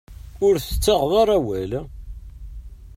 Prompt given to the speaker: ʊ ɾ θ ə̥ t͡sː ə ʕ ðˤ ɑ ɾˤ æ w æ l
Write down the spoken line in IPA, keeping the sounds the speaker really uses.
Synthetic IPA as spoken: ʊ ɾ θ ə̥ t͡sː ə ʁ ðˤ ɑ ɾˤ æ w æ l